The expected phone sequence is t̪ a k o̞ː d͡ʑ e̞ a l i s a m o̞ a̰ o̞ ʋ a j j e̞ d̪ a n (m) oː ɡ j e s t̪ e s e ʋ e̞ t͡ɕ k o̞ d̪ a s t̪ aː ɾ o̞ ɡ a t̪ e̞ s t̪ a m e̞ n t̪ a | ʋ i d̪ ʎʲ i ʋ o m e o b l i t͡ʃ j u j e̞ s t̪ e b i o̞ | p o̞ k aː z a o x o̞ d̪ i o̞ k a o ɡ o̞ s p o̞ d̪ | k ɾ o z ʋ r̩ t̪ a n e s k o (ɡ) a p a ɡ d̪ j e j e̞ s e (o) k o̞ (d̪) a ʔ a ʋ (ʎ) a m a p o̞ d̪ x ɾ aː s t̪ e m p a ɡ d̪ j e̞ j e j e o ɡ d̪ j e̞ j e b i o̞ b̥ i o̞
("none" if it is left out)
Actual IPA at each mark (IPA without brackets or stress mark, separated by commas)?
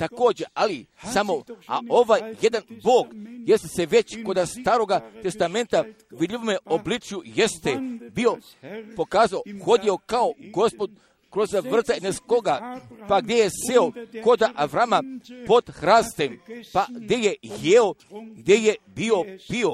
b, ɡ, o, d̪, ɾ